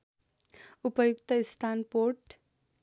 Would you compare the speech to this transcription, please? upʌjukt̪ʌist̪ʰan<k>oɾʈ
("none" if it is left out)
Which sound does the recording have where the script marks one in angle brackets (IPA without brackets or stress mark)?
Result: p